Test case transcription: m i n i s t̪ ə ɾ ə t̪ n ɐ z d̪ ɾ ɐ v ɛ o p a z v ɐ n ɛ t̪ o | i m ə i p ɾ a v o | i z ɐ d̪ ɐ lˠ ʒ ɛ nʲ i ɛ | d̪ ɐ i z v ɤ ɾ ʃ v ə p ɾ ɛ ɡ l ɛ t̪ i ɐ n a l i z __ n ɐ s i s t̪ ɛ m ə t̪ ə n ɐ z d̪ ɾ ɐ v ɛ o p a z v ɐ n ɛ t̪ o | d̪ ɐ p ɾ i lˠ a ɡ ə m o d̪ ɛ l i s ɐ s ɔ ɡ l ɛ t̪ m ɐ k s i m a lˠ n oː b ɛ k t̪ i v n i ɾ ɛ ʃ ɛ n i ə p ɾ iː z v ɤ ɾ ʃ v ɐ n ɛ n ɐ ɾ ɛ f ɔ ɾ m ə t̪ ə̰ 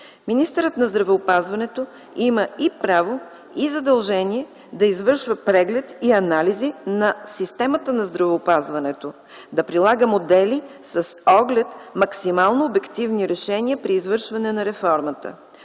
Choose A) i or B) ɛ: A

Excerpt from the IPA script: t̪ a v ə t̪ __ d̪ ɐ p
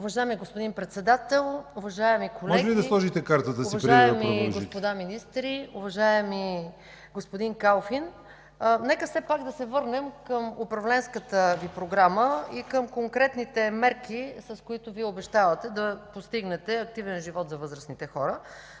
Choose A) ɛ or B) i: A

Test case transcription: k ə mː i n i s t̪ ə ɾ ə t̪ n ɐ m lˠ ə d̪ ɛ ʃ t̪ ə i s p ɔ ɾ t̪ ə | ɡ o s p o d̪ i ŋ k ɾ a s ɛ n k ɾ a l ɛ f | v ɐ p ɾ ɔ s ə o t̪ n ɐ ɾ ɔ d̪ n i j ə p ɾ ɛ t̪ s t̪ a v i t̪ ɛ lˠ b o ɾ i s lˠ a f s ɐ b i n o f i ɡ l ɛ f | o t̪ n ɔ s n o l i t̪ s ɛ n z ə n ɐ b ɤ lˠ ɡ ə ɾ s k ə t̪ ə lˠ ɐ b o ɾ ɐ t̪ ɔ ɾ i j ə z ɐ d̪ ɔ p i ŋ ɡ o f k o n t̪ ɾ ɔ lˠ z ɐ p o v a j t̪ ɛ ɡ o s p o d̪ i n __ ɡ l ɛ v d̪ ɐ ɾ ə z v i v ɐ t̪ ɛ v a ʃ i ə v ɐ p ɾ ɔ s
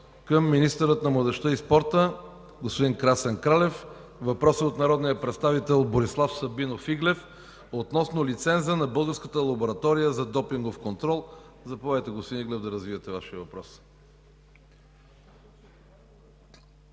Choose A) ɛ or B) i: B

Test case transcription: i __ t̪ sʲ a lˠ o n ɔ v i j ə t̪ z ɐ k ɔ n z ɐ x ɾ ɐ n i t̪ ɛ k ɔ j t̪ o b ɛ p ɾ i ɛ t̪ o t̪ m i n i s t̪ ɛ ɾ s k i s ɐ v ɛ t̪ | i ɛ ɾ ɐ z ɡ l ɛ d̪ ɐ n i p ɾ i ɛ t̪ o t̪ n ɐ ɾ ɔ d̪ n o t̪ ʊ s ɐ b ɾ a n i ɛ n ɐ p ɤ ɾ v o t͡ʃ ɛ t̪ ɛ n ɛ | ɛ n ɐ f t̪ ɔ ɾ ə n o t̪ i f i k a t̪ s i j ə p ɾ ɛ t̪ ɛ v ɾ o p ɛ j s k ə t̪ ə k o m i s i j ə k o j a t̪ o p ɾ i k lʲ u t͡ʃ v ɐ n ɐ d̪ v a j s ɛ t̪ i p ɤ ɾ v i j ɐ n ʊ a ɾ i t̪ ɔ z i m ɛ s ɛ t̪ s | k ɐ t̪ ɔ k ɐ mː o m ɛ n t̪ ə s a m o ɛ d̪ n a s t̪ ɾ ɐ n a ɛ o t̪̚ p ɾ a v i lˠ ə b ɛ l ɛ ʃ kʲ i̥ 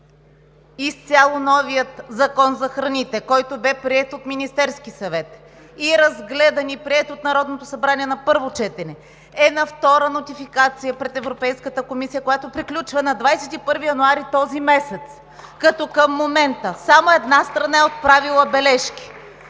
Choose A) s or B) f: A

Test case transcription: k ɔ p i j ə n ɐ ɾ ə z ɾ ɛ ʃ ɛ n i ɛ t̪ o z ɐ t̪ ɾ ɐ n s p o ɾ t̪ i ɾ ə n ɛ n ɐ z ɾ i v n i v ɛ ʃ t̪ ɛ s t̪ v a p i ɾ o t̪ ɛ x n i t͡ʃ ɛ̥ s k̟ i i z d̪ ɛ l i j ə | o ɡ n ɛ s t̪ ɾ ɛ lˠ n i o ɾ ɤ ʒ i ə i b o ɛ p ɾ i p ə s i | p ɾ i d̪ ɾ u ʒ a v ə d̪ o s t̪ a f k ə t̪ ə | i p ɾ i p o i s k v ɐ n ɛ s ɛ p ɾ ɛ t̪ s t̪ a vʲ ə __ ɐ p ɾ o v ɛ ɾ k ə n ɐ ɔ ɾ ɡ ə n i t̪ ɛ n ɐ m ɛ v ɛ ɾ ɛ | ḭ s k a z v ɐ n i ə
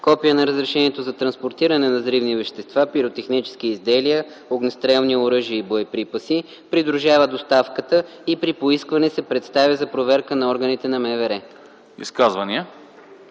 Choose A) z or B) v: A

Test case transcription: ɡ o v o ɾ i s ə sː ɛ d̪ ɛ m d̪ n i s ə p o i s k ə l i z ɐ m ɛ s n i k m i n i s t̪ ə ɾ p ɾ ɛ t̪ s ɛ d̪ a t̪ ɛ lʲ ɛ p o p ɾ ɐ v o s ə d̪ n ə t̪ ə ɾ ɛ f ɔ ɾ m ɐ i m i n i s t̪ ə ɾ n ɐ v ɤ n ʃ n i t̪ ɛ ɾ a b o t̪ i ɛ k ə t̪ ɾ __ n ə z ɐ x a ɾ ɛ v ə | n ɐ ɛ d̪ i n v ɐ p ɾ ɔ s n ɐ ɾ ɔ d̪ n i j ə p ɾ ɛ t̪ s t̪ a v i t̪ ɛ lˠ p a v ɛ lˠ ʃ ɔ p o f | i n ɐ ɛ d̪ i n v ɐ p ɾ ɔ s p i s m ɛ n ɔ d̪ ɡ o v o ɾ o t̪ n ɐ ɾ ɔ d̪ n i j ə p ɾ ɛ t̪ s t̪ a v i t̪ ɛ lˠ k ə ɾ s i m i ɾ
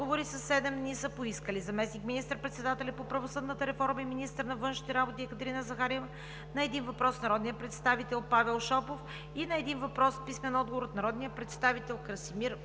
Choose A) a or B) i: B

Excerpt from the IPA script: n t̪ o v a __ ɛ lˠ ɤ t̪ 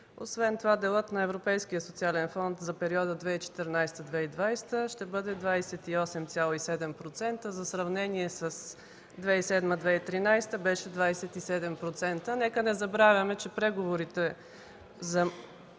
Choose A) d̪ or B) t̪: A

